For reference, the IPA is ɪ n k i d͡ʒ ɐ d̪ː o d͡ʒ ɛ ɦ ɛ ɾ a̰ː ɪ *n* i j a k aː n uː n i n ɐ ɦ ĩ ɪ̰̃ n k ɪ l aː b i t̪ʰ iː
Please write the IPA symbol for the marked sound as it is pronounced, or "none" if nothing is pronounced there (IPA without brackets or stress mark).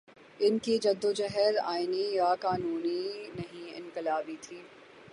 n